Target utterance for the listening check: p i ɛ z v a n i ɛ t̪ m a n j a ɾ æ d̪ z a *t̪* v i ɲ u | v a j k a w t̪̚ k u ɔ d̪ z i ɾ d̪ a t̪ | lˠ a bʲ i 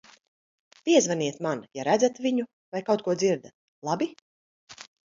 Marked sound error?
no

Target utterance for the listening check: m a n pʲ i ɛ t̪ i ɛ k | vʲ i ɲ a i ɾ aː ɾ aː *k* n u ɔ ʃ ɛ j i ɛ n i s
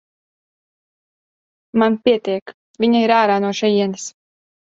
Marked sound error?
yes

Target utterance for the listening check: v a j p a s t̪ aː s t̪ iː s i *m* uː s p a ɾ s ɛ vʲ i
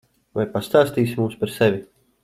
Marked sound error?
no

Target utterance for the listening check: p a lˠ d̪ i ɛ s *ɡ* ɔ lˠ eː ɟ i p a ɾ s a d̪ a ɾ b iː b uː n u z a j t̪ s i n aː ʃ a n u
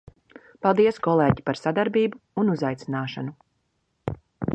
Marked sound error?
yes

